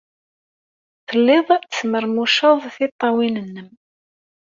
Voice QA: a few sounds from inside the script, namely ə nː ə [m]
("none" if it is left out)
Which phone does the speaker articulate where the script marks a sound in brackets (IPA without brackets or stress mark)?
m